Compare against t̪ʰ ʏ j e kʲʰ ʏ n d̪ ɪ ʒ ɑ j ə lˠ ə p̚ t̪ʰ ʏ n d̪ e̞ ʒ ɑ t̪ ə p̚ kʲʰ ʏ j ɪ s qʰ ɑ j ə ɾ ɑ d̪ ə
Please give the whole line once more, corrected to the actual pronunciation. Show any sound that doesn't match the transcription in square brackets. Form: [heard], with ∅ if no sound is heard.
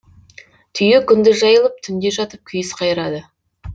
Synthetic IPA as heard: t̪ʰ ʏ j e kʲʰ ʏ n d̪ ɪ ʒ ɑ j ə lˠ ə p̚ t̪ʰ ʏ n d̪ e̞ ʒ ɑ t̪ ə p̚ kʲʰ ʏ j ɪ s qʰ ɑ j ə ɾ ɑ d̪ ə